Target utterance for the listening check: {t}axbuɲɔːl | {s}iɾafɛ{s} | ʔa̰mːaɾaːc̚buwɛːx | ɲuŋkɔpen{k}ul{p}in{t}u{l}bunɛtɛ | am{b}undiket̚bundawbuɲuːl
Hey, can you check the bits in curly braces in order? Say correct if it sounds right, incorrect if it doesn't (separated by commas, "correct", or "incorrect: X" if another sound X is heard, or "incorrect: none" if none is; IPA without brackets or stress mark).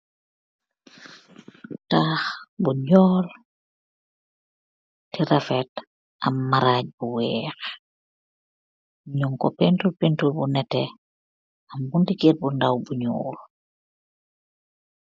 correct, incorrect: t, incorrect: t, incorrect: t, correct, correct, correct, correct